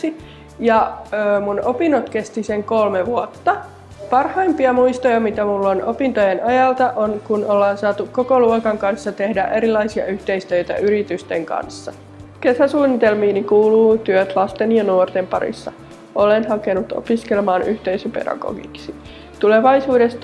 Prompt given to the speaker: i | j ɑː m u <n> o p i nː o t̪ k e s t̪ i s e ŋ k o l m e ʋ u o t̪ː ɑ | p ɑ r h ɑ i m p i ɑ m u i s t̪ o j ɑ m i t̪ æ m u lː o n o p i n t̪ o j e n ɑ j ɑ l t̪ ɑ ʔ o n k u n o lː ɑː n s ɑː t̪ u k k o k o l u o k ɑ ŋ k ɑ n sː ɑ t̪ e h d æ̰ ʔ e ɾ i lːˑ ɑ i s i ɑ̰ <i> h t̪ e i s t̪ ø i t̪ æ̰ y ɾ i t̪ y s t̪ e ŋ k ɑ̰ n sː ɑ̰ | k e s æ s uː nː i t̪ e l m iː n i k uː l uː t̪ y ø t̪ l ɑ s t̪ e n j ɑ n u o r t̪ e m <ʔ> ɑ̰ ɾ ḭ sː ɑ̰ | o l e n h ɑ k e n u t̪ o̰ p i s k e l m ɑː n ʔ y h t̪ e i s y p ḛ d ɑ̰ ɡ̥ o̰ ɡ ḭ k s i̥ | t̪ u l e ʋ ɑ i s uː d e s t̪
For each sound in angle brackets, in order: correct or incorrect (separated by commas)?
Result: correct, incorrect, incorrect